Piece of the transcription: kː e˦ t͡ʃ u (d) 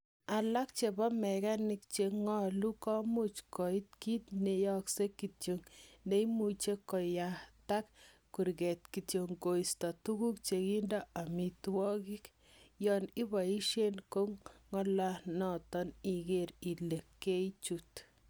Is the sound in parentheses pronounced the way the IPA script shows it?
no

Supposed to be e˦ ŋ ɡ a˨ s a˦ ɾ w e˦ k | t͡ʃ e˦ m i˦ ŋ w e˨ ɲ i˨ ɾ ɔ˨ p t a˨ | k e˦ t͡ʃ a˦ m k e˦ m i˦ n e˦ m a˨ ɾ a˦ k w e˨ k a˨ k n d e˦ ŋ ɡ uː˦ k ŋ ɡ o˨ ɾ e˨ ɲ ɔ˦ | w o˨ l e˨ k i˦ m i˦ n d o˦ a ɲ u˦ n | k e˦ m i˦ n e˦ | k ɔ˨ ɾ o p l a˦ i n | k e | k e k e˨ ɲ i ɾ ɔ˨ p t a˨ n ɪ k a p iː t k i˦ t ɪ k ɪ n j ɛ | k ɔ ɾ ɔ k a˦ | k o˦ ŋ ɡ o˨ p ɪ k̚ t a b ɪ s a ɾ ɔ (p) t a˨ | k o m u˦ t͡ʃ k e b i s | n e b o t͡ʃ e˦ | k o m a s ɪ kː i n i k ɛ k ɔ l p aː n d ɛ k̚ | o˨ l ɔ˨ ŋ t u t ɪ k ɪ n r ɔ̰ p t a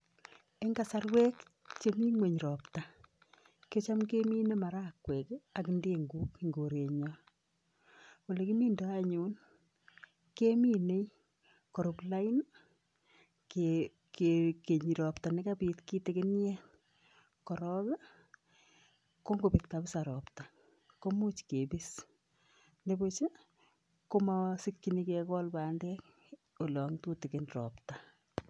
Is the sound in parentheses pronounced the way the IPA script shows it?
yes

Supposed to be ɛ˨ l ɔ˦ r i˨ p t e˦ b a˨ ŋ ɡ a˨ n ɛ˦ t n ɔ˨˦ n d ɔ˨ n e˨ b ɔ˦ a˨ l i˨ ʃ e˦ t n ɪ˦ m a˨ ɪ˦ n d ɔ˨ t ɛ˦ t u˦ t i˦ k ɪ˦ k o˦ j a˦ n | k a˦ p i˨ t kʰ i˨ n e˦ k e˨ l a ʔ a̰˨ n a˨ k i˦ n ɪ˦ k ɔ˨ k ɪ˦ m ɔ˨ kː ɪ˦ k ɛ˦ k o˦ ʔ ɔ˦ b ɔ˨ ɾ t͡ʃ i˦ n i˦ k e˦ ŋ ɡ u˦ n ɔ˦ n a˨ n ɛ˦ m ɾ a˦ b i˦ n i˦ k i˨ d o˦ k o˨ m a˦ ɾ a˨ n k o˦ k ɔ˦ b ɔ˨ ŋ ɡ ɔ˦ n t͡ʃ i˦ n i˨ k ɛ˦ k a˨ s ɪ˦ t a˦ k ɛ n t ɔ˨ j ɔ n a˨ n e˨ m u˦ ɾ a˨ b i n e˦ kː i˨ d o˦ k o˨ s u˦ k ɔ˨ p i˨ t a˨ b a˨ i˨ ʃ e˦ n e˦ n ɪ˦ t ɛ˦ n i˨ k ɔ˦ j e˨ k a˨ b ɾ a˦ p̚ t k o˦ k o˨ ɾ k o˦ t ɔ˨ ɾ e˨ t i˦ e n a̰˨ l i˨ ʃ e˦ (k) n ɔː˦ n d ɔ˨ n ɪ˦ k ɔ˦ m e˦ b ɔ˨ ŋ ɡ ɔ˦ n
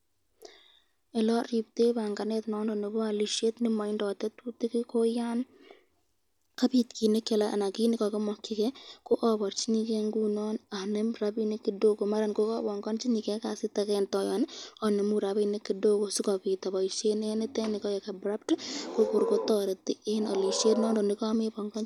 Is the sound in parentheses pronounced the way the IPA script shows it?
no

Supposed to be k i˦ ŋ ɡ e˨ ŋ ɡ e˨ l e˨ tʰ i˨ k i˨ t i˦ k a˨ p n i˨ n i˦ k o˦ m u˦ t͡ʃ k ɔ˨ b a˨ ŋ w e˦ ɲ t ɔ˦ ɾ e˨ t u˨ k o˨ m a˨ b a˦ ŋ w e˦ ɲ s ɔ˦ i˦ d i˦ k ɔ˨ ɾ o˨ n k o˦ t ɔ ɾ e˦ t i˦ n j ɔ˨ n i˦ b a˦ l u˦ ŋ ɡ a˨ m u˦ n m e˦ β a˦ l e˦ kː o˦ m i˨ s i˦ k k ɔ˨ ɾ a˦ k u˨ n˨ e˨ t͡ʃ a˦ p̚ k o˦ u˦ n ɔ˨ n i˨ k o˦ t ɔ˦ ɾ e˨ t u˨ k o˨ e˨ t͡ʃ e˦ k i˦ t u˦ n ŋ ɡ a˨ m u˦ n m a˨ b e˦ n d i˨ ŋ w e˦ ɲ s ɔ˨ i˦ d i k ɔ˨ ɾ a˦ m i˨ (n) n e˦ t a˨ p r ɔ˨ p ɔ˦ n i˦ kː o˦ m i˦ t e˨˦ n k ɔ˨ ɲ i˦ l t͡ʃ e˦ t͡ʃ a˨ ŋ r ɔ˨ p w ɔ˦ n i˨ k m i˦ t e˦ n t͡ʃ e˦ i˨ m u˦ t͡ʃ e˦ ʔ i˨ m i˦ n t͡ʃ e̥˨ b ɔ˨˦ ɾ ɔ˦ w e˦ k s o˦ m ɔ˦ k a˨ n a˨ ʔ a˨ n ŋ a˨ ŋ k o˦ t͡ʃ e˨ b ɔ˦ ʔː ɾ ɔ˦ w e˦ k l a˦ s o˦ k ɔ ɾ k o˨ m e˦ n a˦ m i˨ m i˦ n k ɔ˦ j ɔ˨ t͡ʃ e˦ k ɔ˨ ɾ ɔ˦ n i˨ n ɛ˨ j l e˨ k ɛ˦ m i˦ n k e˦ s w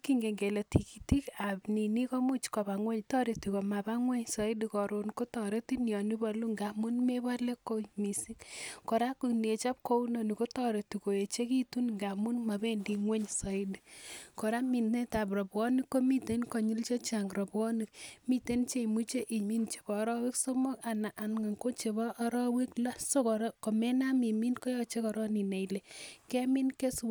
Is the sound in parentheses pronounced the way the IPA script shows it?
yes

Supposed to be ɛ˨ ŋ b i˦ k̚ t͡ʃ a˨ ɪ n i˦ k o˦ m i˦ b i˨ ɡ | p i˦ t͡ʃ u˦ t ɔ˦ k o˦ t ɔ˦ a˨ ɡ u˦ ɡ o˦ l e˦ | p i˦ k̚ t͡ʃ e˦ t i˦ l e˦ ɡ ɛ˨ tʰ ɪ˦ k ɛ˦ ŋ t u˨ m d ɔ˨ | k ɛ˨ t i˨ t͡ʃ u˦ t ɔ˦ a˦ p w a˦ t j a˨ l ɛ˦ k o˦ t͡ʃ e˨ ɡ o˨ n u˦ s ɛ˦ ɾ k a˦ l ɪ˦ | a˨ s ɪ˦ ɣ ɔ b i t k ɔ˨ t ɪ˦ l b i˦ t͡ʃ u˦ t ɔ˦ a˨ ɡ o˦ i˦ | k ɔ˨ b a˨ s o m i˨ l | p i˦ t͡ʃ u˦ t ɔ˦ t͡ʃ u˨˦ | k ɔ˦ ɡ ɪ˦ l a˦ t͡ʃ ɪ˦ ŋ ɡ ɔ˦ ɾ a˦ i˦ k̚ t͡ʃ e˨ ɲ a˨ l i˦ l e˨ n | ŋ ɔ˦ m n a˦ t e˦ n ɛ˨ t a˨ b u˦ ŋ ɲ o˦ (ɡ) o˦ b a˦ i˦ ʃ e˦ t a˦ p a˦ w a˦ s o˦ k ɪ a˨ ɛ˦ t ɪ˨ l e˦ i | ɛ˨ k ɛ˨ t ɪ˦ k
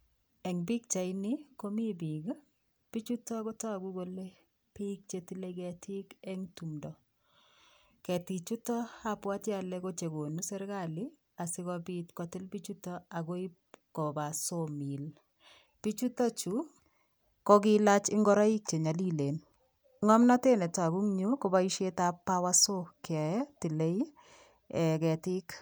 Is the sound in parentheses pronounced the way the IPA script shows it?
no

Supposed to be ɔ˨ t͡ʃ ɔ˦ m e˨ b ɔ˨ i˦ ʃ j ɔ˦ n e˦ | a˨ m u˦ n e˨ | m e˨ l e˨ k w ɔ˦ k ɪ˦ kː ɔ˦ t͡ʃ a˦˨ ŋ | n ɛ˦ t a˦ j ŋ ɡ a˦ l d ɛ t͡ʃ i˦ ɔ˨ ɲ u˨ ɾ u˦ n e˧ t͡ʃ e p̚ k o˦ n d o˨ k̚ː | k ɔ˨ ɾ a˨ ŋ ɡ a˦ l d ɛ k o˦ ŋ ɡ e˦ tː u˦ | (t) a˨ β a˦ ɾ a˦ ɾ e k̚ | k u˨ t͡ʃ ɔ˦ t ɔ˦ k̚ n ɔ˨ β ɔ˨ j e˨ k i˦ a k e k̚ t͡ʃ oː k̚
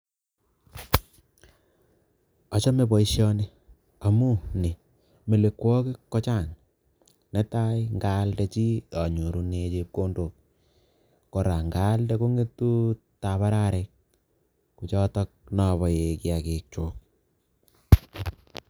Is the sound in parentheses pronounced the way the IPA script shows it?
yes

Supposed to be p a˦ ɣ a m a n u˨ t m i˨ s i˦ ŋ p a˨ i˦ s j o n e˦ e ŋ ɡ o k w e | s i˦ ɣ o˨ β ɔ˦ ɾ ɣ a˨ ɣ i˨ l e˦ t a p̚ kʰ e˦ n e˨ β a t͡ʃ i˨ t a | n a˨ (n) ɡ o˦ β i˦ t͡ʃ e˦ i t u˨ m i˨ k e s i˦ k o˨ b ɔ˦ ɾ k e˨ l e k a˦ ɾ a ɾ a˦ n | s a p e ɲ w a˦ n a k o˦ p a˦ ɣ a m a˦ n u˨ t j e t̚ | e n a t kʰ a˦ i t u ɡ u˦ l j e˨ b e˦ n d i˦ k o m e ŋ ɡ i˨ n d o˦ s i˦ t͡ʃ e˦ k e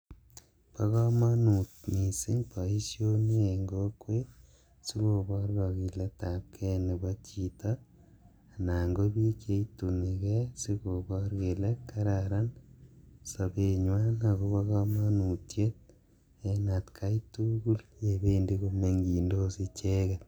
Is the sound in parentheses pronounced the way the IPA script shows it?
no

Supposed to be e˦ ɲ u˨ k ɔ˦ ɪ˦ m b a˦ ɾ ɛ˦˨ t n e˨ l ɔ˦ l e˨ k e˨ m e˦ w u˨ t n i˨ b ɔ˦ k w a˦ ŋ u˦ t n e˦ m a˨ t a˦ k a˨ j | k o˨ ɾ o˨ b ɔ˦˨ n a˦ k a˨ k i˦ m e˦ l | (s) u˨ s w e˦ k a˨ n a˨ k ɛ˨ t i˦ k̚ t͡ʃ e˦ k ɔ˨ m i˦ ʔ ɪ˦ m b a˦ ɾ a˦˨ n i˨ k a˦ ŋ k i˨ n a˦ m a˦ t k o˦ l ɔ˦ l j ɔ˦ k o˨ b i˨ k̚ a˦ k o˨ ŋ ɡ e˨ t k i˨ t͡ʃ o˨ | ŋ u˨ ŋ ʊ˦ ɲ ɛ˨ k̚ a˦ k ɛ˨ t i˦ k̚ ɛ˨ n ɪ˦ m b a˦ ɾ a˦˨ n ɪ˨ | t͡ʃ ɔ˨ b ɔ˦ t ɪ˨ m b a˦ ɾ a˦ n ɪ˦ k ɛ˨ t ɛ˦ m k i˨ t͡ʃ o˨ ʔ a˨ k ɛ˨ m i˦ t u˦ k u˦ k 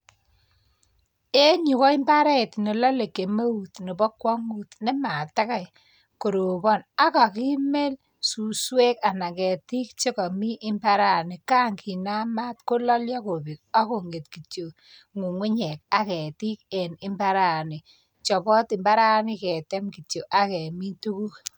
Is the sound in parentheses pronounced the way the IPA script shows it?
yes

